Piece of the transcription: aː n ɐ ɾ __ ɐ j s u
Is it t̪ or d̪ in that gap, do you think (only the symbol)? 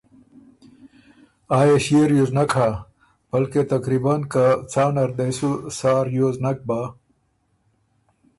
d̪